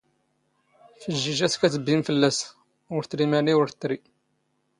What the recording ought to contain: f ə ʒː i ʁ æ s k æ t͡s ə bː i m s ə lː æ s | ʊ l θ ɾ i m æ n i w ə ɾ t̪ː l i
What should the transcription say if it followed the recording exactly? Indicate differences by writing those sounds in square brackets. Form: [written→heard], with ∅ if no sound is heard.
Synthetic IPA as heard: f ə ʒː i [ʁ→ʒ] æ s k æ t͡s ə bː i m [s→f] ə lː æ s | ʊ [l→ɾ] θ ɾ i m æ n i w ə ɾ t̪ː [l→ɾ] i